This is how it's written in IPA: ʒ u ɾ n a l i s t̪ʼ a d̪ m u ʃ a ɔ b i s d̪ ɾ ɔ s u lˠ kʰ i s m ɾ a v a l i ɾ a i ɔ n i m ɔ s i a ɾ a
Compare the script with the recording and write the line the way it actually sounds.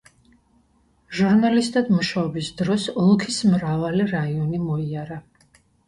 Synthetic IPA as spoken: ʒ u ɾ n a l i s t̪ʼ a d̪ m u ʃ a ɔ b i s d̪ ɾ ɔ s ɔ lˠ kʰ i s m ɾ a v a l i ɾ a i ɔ n i m ɔ i a ɾ a